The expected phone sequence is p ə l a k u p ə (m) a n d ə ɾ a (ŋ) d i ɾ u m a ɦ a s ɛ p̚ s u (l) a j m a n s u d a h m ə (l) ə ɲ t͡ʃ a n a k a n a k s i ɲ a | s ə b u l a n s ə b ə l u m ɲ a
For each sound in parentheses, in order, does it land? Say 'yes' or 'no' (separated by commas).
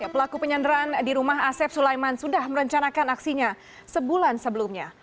no, no, yes, no